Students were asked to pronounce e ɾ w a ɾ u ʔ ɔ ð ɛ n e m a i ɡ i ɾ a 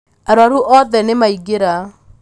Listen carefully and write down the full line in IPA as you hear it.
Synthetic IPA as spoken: a ɾ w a ɾ u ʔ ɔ ð ɛ n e m a i ɡ e ɾ a

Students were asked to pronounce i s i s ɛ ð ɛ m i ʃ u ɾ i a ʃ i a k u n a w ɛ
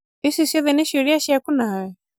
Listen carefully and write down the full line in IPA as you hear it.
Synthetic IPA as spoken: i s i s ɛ ð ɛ n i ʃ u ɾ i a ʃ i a k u n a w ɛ

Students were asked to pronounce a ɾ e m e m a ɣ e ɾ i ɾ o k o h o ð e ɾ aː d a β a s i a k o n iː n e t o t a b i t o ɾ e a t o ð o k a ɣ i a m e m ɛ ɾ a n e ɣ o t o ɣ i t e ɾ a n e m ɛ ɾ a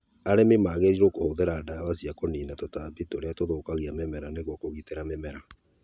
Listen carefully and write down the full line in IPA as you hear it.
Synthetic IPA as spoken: a ɾ e m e m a ɣ e ɾ i ɾ o k o h o ð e ɾ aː d a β a s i a k o n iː n a t o t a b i t o ɾ e a t o ð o k a ɣ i a m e m ɛ ɾ a n e ɣ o k o ɣ i t e ɾ a m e m ɛ ɾ a

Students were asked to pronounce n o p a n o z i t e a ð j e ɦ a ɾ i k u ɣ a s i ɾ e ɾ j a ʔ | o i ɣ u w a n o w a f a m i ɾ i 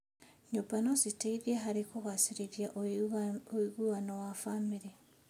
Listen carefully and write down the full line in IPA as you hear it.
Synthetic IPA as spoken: ɲ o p a n o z i t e i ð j e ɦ a ɾ i k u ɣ a s i ɾ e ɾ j a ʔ | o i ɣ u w a n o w a f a m i ɾ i

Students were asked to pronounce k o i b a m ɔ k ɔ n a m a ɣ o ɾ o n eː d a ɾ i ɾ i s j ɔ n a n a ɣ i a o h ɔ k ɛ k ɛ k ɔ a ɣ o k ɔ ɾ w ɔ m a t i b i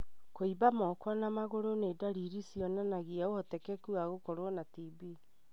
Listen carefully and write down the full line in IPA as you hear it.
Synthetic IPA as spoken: k o i b a m ɔ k ɔ n a m a ɣ o ɾ o n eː d a ɾ i ɾ i s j ɔ n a n a ɣ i a o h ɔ t ɛ k ɛ k u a ɣ o k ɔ ɾ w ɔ n a t i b i

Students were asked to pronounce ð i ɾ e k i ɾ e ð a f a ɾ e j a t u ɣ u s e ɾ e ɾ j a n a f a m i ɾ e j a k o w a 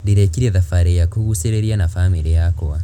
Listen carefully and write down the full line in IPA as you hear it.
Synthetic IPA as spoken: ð i ɾ e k i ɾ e ð a f a ɾ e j a k u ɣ u s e ɾ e ɾ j a n a f a m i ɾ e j a k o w a

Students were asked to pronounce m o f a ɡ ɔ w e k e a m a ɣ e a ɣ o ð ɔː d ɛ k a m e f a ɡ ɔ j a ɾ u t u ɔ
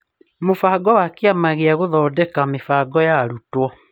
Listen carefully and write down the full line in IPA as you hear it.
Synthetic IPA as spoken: m o f a ɡ ɔ w a k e a m a ɣ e a ɣ o ð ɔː d ɛ k a m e f a ɡ ɔ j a ɾ u t w ɔ

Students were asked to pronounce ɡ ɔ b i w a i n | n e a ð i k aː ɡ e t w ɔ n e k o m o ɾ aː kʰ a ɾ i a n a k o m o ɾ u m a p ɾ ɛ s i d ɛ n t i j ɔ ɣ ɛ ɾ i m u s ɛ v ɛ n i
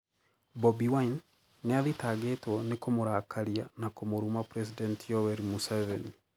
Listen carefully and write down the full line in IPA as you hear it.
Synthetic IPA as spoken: b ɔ b i w a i n | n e a ð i t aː ɡ e t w ɔ n e k o m o ɾ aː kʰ a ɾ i a n a k o m o ɾ u m a p ɾ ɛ s i d ɛ n t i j ɔ w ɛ ɾ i m u s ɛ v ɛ n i

